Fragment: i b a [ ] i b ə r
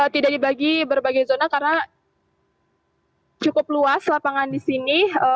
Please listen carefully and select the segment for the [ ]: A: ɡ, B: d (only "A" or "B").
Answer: A